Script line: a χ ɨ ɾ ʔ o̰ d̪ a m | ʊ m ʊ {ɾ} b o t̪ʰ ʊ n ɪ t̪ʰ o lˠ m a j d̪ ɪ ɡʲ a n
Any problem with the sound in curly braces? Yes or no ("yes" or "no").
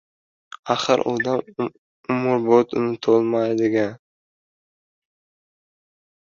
no